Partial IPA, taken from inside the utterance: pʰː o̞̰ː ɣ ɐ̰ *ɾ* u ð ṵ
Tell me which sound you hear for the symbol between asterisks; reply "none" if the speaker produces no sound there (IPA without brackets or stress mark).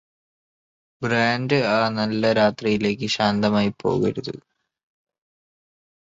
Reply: ɾ